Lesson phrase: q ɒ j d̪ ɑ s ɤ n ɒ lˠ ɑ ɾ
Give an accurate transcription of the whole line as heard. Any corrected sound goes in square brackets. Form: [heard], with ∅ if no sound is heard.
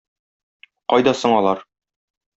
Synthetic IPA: q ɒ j d̪ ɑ s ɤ [ɴ] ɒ lˠ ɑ ɾ